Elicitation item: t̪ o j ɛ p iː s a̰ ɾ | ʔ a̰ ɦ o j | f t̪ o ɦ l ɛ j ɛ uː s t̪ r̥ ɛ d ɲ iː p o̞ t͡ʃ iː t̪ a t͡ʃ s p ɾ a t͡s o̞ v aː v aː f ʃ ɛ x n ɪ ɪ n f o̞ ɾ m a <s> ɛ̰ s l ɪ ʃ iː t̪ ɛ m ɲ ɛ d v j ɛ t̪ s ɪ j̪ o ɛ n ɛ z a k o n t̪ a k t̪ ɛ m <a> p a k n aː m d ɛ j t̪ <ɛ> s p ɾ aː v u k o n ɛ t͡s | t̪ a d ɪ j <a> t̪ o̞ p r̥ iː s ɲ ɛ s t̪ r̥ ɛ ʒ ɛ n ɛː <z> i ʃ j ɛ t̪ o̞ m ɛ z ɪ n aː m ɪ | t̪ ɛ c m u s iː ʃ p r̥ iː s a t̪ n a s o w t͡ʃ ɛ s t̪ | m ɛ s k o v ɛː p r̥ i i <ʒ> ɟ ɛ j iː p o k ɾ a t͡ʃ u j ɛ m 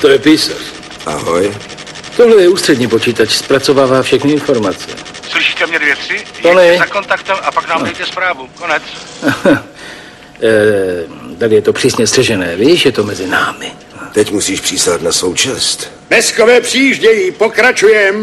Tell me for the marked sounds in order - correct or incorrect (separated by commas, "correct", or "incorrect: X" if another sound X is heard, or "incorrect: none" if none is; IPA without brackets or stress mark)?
incorrect: t͡s, correct, correct, incorrect: ɛ, incorrect: v, correct